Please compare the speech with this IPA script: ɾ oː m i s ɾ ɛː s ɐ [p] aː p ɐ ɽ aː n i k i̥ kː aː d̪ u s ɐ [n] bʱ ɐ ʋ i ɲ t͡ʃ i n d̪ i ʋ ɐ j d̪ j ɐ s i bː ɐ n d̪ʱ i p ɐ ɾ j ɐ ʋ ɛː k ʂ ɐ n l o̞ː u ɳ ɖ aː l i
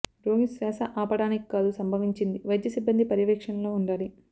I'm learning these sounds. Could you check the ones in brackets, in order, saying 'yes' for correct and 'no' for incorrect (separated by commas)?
no, no